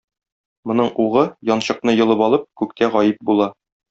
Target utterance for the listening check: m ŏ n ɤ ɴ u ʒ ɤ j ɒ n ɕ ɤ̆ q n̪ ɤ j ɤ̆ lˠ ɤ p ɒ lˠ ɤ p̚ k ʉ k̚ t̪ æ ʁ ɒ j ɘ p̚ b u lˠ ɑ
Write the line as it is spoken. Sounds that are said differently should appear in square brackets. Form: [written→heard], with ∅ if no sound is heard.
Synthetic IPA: m ŏ n ɤ ɴ u [ʒ→ʁ] ɤ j ɒ n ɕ ɤ̆ q n̪ ɤ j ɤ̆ lˠ ɤ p ɒ lˠ ɤ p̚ k ʉ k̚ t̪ æ ʁ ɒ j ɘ p̚ b u lˠ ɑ